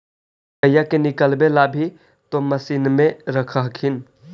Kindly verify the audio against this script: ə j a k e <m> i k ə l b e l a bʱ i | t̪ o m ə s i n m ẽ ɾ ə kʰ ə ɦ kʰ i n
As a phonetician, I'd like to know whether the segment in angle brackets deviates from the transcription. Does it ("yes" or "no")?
yes